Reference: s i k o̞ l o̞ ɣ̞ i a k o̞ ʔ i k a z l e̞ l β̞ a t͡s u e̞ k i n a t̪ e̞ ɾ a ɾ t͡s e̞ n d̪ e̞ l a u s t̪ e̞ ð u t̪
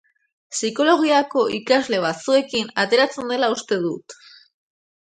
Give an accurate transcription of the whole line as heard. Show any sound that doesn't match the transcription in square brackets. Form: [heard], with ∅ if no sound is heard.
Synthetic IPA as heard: s i k o̞ l o̞ ɣ̞ i a k o̞ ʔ i k a z l e̞ [∅] β̞ a t͡s u e̞ k i n a t̪ e̞ ɾ a [∅] t͡s e̞ n d̪ e̞ l a u s t̪ e̞ ð u t̪